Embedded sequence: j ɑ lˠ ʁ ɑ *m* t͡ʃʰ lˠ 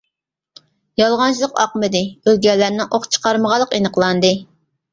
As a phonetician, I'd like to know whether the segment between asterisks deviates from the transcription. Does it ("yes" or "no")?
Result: yes